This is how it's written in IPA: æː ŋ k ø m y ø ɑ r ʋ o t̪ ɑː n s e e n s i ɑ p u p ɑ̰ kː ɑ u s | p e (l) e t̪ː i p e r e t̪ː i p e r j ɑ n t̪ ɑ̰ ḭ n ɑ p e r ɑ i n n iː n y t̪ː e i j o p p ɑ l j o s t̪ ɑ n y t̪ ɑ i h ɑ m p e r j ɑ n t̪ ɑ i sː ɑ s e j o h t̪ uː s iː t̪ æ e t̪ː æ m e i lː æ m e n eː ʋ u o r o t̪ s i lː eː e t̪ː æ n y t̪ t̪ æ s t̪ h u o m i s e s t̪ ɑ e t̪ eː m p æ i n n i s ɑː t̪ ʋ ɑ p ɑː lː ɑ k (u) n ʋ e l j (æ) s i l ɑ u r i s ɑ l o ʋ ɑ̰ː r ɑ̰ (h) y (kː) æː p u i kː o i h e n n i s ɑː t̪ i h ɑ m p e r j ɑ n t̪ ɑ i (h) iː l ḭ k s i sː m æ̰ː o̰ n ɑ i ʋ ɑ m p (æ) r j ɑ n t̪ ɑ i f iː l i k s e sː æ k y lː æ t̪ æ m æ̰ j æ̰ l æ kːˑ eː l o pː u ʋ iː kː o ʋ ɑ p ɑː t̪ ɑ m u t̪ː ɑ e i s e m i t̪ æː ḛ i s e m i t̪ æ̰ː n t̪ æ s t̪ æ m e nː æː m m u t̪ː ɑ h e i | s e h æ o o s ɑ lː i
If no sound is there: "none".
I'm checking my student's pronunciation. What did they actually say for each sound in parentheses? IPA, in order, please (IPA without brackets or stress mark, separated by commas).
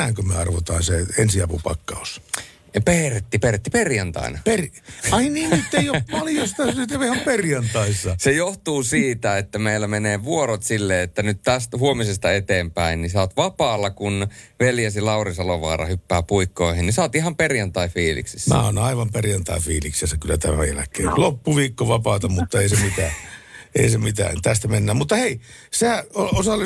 r, u, æ, h, pː, f, e